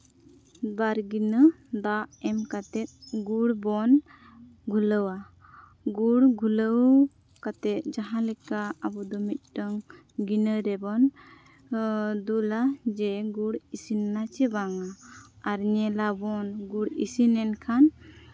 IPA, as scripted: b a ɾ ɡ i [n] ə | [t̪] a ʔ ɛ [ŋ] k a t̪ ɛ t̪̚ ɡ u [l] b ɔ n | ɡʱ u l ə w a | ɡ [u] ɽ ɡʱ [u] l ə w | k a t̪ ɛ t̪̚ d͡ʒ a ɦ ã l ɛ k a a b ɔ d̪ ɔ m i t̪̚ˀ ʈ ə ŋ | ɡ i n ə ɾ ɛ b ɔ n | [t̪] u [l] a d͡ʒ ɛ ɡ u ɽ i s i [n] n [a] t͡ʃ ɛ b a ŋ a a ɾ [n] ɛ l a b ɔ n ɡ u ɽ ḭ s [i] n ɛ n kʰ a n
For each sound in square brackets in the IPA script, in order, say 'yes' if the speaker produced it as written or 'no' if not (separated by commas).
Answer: yes, no, no, no, yes, yes, no, yes, yes, yes, no, yes